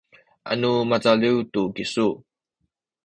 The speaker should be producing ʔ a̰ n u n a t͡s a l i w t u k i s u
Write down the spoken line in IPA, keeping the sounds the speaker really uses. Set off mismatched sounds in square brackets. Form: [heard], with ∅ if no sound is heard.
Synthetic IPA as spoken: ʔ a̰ n u [m] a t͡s a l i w t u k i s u